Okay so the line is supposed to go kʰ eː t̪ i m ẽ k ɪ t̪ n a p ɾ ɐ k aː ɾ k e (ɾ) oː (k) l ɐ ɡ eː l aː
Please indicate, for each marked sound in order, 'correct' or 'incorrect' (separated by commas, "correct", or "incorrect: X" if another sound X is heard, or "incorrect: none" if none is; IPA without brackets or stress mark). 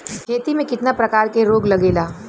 correct, incorrect: ɡ